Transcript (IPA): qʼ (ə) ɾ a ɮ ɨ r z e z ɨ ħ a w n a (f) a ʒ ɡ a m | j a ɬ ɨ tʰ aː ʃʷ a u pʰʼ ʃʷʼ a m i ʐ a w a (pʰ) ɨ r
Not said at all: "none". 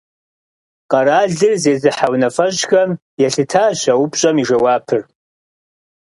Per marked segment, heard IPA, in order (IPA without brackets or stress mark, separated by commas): a, f, pʰ